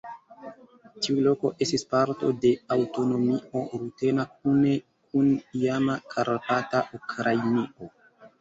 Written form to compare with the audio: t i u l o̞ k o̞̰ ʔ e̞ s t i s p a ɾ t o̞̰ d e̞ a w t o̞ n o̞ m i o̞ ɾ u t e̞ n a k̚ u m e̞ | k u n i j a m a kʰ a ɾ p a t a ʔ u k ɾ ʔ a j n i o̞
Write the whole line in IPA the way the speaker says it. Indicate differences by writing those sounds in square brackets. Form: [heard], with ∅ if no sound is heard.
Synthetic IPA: t i u l o̞ k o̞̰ ʔ e̞ s t i s p a ɾ t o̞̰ d e̞ a w t o̞ n o̞ m i o̞ ɾ u t e̞ n a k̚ u [n] e̞ | k u n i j a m a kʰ a ɾ p a t a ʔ u k ɾ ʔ a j n i o̞